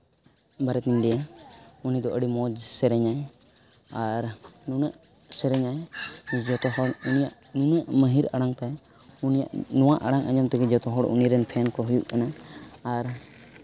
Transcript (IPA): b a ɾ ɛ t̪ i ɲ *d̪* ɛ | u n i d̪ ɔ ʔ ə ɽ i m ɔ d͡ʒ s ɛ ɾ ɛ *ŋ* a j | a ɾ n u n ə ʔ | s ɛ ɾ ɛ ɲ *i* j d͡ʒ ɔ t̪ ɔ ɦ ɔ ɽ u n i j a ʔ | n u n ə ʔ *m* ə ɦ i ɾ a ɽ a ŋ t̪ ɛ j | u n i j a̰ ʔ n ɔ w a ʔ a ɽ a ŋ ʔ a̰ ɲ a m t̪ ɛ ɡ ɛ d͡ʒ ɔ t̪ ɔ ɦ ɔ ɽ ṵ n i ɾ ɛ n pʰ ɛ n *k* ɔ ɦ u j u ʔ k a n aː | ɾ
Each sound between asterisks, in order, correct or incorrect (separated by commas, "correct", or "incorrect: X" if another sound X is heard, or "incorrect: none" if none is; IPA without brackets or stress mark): correct, incorrect: ɲ, incorrect: a, correct, correct